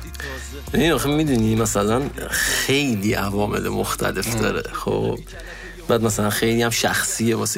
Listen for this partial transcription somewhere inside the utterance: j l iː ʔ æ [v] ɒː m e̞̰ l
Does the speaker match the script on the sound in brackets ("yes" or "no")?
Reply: yes